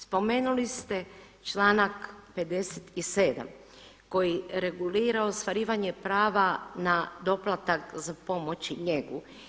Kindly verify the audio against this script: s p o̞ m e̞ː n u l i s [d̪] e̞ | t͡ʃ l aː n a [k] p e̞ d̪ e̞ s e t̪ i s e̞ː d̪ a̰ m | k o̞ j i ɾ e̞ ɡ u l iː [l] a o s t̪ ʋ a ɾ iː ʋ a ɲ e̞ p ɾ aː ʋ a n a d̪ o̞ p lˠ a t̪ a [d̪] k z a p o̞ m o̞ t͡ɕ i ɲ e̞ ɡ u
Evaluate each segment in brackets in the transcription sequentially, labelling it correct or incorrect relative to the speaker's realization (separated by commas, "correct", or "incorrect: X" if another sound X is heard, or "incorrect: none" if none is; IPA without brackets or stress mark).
incorrect: t̪, correct, incorrect: ɾ, incorrect: none